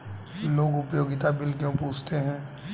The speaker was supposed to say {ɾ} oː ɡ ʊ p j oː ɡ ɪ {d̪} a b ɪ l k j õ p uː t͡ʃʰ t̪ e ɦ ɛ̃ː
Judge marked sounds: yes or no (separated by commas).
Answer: no, no